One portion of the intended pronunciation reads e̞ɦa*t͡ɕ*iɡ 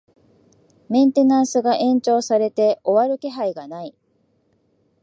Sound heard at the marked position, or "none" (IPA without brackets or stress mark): none